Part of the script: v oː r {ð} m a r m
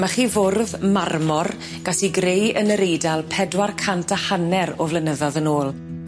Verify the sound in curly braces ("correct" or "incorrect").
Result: correct